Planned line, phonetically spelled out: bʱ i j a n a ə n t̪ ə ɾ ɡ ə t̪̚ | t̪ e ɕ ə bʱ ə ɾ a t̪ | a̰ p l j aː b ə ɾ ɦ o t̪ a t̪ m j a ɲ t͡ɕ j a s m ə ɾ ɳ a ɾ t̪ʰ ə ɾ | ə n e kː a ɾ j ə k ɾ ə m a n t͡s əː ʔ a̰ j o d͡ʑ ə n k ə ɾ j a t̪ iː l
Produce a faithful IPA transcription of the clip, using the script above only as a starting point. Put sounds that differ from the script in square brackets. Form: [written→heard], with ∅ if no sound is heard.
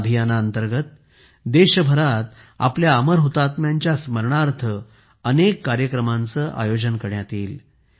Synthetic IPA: bʱ i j a n a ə n t̪ ə ɾ ɡ ə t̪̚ | [t̪→d̪] e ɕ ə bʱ ə ɾ a t̪ | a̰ p l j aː [b→m] ə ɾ ɦ o t̪ a t̪ m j a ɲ t͡ɕ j a s m ə ɾ ɳ a ɾ t̪ʰ ə [ɾ→∅] | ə n e kː a ɾ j ə k ɾ ə m a n t͡s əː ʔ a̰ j o d͡ʑ ə n k ə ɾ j a t̪ iː l